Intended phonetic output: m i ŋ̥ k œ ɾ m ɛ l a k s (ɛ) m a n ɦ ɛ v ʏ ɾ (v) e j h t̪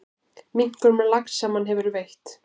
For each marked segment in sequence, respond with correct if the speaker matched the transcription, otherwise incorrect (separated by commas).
incorrect, correct